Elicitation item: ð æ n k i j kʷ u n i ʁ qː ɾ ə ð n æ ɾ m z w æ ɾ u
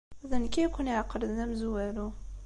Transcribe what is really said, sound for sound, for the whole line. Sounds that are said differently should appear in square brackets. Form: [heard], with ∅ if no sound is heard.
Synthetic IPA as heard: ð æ n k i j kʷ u n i [ʕ] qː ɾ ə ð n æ [∅] m z w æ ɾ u